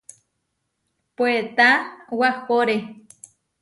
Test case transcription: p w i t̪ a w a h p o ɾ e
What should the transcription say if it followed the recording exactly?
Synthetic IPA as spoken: p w e t̪ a w a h p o ɾ e

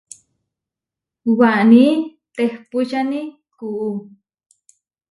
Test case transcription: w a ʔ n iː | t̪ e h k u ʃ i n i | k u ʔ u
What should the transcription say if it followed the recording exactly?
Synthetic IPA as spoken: w a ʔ n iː | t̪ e h p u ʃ a n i | k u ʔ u

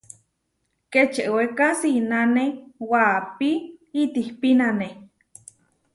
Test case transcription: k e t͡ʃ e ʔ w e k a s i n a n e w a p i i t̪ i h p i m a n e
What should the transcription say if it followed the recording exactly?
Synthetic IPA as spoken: k e t͡ʃ e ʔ w e k a s i n a n e w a p i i t̪ i h p i n a n e

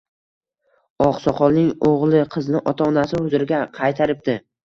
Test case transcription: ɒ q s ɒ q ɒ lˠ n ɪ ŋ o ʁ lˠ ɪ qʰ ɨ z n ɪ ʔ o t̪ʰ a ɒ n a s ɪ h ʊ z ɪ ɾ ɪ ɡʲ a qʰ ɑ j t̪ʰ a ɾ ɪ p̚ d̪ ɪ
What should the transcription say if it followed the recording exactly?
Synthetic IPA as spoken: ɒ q s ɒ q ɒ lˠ n ɪ ŋ o ʁ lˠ ɪ qʰ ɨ z n ɪ ʔ ɒ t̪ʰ a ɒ n a s ɪ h ʊ z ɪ ɾ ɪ ɡʲ a qʰ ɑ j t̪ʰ a ɾ ɪ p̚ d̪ ɪ

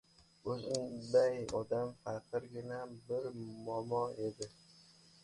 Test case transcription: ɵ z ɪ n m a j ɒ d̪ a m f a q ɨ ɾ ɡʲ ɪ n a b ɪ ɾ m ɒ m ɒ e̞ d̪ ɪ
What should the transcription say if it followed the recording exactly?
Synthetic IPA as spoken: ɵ z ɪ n b a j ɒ d̪ a m f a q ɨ ɾ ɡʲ ɪ n a b ɪ ɾ m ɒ m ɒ e̞ d̪ ɪ

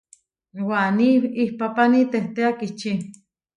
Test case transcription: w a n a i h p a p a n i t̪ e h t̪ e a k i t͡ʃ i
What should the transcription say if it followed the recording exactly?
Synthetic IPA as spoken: w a n i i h p a p a n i t̪ e h t̪ e a k i t͡ʃ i

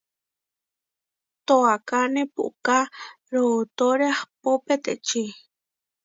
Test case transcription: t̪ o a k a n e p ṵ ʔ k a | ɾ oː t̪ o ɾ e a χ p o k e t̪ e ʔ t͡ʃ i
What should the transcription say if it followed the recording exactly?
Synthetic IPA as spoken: t̪ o a k a n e p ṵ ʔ k a | ɾ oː t̪ o ɾ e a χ p o p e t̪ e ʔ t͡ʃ i

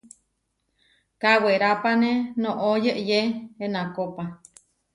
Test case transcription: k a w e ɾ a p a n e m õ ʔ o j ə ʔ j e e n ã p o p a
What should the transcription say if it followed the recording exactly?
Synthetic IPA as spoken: k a w e ɾ a p a n e n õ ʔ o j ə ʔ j e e n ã k o p a

